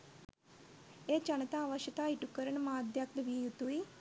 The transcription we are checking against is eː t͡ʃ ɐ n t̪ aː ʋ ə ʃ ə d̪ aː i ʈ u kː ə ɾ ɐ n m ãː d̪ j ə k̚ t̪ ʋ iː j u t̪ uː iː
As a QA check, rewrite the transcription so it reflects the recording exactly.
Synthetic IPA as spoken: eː t͡ʃ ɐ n t̪ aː ʋ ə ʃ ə t̪ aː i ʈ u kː ə ɾ ə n m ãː d̪ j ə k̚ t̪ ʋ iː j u t̪ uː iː